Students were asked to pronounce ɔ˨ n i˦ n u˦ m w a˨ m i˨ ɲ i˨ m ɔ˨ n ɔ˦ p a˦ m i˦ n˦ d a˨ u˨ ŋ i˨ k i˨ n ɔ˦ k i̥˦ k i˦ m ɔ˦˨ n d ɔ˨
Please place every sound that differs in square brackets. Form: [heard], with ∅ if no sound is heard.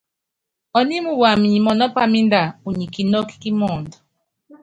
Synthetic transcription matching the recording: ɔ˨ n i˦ [m] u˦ [∅] w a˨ m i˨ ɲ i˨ m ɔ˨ n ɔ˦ p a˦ m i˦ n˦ d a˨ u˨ [ɲ] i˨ k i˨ n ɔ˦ k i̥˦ k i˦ m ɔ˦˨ n d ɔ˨